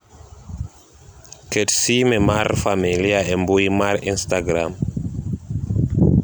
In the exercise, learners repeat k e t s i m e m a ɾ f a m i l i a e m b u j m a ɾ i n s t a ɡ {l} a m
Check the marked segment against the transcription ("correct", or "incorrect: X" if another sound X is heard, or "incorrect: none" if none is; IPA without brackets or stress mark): incorrect: ɾ